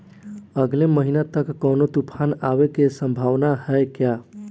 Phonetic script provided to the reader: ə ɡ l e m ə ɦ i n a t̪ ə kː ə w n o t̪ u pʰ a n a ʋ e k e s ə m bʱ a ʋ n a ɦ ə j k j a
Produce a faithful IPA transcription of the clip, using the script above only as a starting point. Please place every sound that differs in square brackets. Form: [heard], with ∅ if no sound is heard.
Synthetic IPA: ə ɡ l e m ə ɦ i n a t̪ ə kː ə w n o t̪ u pʰ a n a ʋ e k e s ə m bʱ a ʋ n a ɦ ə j k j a

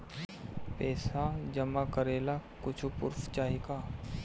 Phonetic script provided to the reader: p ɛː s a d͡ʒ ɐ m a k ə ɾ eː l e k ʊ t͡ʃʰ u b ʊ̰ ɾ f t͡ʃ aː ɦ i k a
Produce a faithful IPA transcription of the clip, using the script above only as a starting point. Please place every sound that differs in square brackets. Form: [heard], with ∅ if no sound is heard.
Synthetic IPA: p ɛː s a d͡ʒ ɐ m a k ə ɾ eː l [a] k ʊ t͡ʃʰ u [p] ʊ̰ ɾ f t͡ʃ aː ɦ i k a

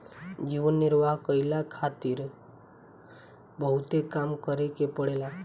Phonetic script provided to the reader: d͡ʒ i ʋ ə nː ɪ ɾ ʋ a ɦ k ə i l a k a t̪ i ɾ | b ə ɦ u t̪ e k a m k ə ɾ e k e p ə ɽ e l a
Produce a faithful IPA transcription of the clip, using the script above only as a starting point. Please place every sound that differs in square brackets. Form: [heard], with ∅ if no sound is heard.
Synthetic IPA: d͡ʒ i ʋ ə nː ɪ ɾ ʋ a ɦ k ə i l a [kʰ] a t̪ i ɾ | b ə ɦ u t̪ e k a m k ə ɾ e k e p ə ɽ e l a

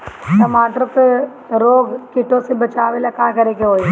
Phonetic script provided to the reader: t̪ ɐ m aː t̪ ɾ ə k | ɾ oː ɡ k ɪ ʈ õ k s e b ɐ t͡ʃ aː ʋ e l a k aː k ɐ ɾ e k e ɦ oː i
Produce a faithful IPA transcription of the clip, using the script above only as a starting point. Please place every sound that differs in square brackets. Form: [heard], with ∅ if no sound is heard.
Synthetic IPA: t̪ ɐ m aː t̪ ɾ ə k | ɾ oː ɡ k ɪ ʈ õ [∅] s e b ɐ t͡ʃ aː ʋ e l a k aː k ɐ ɾ e k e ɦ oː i

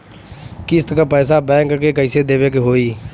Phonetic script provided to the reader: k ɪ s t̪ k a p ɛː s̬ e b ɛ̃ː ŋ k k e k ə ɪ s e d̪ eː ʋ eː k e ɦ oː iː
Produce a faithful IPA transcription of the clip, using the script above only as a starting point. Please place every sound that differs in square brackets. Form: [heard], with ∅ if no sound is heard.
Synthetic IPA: k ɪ s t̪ k a p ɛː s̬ [a] b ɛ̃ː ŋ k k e k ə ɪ s e d̪ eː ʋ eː k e ɦ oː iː

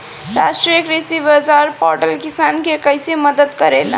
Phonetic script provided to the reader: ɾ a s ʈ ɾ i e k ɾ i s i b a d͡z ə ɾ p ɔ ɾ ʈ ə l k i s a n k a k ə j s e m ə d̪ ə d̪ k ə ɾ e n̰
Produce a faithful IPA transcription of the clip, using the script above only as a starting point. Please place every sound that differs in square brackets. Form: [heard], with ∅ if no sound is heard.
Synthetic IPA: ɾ a s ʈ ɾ i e k ɾ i s i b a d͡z [a] ɾ p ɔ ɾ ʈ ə l k i s a n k [e] k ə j s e m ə d̪ ə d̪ k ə ɾ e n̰

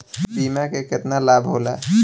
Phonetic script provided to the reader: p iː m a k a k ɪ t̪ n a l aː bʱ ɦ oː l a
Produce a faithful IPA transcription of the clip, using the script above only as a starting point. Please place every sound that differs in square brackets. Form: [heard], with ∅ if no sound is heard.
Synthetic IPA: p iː m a k [e] k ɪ t̪ n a l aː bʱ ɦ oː l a

